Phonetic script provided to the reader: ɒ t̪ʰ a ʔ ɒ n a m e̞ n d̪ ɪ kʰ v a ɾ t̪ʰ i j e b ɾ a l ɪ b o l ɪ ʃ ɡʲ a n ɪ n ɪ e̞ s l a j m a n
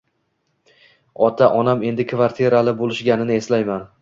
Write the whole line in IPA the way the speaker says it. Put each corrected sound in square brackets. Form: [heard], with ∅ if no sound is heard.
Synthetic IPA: ɒ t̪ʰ a ʔ ɒ n a m e̞ n d̪ ɪ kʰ v a ɾ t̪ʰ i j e [∅] ɾ a l ɪ b o l ɪ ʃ ɡʲ a n ɪ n ɪ e̞ s l a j m a n